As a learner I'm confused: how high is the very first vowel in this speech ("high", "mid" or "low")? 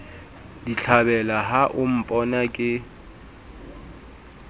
high